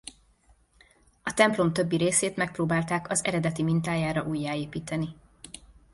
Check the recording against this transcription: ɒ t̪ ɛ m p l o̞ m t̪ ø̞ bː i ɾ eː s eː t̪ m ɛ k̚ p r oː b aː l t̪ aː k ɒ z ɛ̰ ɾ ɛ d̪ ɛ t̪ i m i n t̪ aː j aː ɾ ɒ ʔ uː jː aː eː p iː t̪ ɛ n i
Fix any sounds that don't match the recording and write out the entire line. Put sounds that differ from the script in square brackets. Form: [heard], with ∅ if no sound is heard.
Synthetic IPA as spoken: ɒ t̪ ɛ m p l o̞ m t̪ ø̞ bː i ɾ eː s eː t̪ m ɛ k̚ p r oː b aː l t̪ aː k ɒ z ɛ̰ ɾ ɛ d̪ ɛ t̪ i m i n t̪ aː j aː ɾ ɒ ʔ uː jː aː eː p iː t̪ ɛ n i